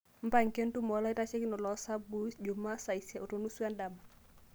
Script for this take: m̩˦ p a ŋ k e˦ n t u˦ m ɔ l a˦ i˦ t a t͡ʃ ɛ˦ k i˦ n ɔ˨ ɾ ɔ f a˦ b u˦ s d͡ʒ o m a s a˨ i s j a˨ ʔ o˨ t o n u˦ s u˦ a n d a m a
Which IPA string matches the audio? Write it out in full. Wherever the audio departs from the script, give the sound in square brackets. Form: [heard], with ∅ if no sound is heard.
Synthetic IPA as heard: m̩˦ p a ŋ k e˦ n t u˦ m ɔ l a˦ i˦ t a t͡ʃ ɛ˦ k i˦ n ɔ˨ [l] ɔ [s] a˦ b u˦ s d͡ʒ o m a s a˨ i s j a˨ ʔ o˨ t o n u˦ s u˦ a n d a m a